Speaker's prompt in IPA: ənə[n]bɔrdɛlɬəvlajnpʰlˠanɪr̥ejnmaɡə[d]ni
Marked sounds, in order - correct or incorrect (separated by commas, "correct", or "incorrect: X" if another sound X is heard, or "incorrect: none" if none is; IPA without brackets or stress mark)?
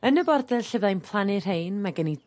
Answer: incorrect: none, incorrect: none